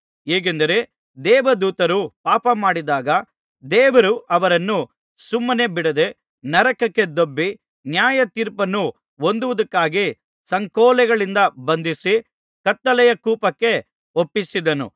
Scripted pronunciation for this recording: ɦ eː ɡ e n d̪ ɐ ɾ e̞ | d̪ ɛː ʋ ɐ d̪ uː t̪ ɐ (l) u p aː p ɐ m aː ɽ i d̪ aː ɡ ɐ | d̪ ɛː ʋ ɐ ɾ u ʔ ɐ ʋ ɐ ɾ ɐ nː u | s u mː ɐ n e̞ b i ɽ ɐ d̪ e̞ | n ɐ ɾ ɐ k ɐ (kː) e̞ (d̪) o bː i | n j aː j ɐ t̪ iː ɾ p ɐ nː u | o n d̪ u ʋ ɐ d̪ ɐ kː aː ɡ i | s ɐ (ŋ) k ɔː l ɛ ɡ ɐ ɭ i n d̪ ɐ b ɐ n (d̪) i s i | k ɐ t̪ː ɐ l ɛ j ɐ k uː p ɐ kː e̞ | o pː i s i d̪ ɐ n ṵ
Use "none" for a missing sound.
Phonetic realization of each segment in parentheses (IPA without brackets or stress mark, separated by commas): ɾ, kː, d̪, ŋ, d̪